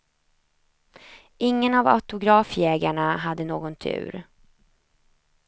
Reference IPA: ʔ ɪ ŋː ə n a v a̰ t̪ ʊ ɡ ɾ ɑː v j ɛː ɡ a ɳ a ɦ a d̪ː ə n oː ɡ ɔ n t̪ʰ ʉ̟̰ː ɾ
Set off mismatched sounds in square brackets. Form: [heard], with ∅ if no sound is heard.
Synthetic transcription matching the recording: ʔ ɪ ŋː ə n a v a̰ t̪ ʊ ɡ ɾ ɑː [f] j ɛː ɡ a ɳ a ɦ a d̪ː ə n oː ɡ ɔ n t̪ʰ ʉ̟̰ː ɾ